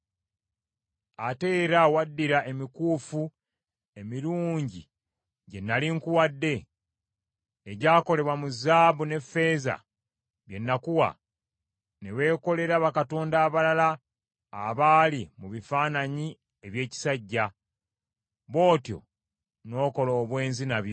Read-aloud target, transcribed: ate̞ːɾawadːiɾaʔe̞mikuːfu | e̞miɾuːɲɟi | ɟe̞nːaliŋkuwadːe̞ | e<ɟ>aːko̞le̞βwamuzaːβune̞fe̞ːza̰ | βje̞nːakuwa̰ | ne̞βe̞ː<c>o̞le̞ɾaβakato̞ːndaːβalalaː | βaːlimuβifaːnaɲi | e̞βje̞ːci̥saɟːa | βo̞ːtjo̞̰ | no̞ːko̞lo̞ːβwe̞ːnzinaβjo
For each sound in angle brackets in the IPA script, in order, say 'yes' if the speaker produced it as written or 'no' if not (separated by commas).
yes, no